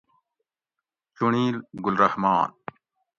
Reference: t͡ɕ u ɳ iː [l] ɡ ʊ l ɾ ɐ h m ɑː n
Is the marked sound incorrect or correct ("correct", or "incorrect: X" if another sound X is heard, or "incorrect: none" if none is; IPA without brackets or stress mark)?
correct